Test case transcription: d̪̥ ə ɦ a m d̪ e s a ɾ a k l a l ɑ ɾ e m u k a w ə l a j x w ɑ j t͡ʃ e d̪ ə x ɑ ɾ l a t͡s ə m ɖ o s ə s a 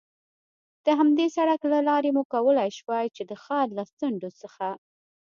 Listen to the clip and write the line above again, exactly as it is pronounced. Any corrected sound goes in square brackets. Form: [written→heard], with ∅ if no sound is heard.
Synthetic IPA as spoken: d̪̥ ə ɦ a m d̪ e s a [ɾ→ɽ] a k l a l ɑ ɾ e m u k a w ə l a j [x→ʃ] w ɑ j t͡ʃ e d̪ ə x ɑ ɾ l a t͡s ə [m→ɳ] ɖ o s ə [s→x] a